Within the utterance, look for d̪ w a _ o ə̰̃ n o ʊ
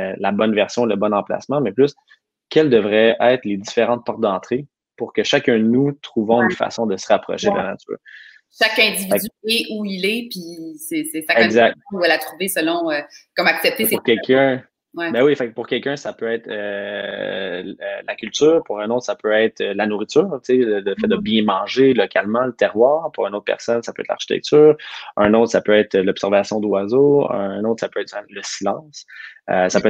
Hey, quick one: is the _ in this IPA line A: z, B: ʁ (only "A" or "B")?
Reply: A